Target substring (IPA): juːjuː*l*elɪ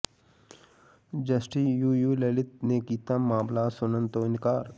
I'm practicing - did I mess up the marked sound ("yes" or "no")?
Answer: no